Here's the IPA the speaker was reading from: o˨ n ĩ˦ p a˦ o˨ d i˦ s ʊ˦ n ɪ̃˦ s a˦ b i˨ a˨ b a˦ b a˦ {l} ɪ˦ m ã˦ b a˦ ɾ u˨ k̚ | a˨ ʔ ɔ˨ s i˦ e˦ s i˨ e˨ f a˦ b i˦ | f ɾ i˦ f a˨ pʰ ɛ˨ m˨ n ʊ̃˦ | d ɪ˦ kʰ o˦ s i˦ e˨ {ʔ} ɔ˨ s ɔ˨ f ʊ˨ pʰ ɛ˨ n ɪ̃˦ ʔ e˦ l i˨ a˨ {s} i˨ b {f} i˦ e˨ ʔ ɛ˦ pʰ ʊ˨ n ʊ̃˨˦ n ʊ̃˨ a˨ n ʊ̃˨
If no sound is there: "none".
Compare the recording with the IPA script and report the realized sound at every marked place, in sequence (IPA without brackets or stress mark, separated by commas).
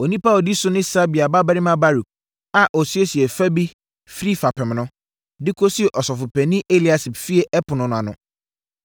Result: ɾ, ʔ, s, f